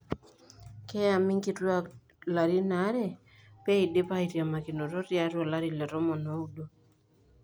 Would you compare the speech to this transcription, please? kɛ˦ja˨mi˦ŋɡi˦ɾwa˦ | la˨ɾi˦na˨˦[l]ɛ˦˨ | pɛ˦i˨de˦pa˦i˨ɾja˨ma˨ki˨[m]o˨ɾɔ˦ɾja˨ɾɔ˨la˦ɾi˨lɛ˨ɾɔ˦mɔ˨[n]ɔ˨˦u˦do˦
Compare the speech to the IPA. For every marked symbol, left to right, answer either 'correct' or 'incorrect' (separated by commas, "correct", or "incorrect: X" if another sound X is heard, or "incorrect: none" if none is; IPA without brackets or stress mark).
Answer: incorrect: ɾ, incorrect: n, correct